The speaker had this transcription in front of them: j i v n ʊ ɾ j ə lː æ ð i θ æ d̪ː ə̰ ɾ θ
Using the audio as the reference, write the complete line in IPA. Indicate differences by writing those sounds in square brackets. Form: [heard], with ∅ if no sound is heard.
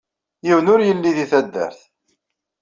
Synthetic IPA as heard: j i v n ʊ ɾ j ə lː [i] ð i θ æ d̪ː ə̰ ɾ θ